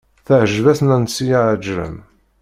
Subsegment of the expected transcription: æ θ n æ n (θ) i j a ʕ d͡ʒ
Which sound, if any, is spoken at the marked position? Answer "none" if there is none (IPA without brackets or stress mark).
s